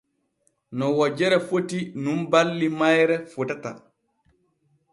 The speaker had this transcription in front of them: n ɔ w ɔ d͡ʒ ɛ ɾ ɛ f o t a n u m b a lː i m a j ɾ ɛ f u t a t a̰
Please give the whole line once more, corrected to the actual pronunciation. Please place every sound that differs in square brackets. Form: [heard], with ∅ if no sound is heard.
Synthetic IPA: n ɔ w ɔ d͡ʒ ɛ ɾ ɛ f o t [i] n u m b a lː i m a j ɾ ɛ f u t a t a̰